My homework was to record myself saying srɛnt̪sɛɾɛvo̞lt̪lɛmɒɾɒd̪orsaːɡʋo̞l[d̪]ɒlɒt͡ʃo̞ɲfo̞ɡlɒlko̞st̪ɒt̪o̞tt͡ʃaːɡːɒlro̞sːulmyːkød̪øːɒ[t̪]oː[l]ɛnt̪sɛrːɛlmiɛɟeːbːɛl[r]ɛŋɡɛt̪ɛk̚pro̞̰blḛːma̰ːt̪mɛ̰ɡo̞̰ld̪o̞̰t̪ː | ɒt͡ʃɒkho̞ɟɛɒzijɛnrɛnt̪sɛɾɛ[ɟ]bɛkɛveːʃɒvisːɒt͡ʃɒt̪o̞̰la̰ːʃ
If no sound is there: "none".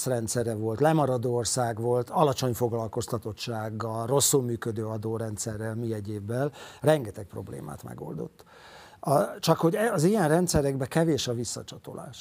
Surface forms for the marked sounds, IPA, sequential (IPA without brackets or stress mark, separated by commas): t̪, d̪, ɾ, r, ɡ